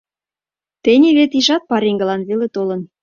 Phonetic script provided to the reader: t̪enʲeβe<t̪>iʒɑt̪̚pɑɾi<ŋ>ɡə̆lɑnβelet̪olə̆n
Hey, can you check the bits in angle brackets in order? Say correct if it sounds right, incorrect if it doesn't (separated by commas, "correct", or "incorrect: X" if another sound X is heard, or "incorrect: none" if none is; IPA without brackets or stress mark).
correct, correct